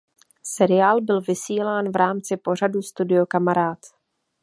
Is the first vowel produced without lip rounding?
yes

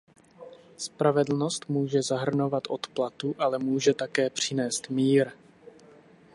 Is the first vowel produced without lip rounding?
yes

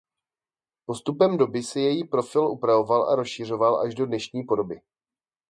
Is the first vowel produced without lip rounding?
no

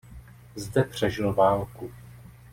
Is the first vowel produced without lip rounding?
yes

